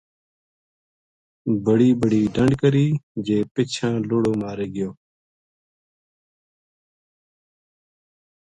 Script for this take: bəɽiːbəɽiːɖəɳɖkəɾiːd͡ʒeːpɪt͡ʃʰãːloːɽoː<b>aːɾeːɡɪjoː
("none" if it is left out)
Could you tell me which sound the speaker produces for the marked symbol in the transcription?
m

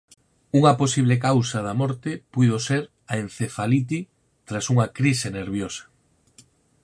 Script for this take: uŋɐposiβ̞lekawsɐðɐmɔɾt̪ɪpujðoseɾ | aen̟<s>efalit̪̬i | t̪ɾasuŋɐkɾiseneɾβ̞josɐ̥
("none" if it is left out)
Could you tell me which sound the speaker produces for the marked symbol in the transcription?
θ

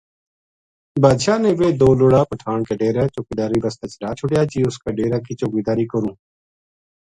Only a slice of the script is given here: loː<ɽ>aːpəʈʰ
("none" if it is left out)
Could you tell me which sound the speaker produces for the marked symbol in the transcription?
ɽ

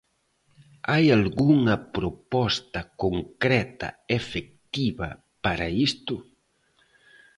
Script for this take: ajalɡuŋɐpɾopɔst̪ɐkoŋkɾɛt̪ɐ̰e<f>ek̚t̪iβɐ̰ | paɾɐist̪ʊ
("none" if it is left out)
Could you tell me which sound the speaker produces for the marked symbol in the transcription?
f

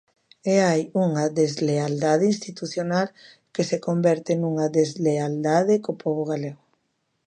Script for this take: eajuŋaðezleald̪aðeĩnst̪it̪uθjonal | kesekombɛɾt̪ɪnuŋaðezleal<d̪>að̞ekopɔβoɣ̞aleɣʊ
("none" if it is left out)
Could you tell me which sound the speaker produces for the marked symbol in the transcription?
d̪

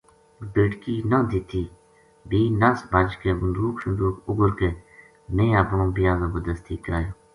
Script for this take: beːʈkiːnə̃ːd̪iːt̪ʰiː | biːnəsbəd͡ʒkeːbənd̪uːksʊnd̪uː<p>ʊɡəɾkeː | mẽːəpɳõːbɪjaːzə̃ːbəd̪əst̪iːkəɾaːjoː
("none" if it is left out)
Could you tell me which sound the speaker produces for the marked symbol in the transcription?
k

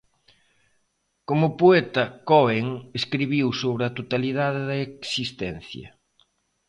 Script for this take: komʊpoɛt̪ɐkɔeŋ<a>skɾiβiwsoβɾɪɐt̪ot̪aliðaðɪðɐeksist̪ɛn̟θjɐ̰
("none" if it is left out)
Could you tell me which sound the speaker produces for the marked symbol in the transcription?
e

